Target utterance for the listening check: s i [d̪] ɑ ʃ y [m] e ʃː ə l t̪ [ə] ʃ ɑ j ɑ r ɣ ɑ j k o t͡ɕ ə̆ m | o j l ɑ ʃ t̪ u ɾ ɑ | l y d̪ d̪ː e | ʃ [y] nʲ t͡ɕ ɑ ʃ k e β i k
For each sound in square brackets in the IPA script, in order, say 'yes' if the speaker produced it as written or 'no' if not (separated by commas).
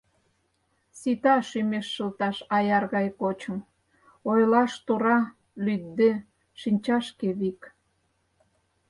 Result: no, yes, no, no